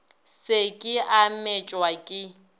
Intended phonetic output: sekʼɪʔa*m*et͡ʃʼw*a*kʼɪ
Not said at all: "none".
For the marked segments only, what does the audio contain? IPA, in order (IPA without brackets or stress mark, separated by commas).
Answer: m, a